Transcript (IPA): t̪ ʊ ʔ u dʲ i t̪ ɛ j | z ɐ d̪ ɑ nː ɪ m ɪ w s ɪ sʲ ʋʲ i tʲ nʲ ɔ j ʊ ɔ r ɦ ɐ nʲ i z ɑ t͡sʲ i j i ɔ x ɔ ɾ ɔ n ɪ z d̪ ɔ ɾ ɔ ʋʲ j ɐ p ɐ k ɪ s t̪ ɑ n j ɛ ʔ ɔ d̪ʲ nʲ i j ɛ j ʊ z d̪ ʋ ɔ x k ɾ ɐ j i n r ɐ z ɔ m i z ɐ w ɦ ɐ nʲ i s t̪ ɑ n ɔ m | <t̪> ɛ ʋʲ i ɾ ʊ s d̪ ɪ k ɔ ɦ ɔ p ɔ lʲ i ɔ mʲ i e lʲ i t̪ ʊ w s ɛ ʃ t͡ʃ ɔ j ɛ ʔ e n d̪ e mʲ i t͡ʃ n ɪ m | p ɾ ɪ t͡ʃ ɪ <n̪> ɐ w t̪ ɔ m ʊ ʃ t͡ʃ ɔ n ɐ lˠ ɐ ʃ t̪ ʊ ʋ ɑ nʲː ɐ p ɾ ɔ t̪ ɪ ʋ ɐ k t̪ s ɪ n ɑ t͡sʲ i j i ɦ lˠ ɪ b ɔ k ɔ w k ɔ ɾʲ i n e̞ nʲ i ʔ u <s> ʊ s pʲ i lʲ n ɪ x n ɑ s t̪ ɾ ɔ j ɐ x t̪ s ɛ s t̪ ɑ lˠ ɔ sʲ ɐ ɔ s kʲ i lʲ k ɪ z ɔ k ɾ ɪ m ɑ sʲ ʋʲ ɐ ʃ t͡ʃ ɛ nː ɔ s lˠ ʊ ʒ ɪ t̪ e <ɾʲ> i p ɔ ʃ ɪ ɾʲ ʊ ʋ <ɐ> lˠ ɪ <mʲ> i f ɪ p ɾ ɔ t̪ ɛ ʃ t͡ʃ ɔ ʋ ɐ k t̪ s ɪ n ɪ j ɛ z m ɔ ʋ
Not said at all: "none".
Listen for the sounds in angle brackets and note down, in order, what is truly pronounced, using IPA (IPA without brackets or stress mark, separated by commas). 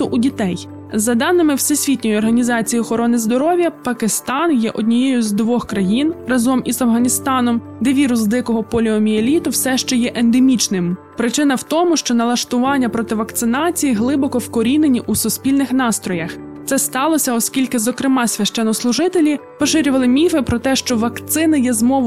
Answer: d̪, n̪, s, lʲ, ɐ, mʲ